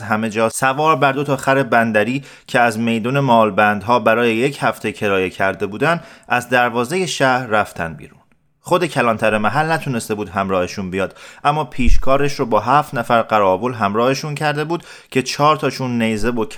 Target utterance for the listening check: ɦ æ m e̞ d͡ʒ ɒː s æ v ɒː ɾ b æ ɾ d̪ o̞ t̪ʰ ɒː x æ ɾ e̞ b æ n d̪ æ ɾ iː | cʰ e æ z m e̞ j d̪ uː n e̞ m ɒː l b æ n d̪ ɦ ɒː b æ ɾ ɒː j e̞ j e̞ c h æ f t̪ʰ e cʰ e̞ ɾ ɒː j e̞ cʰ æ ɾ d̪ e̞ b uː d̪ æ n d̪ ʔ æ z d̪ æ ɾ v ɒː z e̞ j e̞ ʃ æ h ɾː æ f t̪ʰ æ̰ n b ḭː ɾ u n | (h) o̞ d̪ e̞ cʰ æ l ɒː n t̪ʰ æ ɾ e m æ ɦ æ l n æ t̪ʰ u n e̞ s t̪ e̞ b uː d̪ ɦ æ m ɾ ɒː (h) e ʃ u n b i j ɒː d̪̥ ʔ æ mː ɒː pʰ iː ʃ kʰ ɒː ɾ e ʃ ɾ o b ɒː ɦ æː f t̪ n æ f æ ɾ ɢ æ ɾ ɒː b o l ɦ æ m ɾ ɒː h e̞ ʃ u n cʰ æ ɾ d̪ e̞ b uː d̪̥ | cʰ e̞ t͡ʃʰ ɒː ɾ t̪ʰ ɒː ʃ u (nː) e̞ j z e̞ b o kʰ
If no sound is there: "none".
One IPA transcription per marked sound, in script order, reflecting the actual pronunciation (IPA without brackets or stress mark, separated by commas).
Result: χ, h, nː